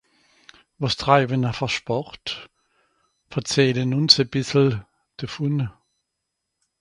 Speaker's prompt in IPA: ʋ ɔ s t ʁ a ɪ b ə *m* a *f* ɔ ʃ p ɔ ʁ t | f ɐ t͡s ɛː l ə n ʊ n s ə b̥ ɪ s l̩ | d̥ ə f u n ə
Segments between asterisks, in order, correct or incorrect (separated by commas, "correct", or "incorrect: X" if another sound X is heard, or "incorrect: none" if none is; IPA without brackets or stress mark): incorrect: n, correct